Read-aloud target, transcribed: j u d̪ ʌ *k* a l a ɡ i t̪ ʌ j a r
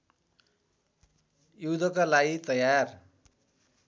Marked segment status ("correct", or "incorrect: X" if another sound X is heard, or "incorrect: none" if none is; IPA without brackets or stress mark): correct